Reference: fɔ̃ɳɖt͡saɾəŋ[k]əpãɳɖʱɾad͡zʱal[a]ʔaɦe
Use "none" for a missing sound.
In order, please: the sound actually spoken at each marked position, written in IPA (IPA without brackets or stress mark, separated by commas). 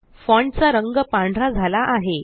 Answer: ɡ, a